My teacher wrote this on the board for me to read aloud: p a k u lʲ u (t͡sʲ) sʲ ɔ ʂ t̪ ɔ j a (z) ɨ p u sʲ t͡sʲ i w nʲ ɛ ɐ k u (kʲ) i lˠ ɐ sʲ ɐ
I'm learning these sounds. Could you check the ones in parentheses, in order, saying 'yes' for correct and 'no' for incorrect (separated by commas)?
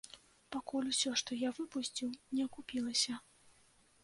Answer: no, no, no